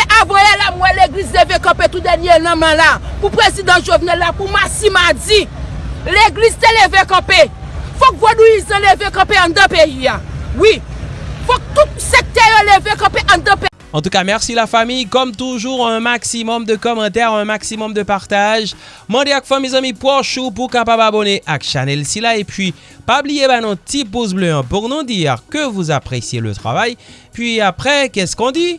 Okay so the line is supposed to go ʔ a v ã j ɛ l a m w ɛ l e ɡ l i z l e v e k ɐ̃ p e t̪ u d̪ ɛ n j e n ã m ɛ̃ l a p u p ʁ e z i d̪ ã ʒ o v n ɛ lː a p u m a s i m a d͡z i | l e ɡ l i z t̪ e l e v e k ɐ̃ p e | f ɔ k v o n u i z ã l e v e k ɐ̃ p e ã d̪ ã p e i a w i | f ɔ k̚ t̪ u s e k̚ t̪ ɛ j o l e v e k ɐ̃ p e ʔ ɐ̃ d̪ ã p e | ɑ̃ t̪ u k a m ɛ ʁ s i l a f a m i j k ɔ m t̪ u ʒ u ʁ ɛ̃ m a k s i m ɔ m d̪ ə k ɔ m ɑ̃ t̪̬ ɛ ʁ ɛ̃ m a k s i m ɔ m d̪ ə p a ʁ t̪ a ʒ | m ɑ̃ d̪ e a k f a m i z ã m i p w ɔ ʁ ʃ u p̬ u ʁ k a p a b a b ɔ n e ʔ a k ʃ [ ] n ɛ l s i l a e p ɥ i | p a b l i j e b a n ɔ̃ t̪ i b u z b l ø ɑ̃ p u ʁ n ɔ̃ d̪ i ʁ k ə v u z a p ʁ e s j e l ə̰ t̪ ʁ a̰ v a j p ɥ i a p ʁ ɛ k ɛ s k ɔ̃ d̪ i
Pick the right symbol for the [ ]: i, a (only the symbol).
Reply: a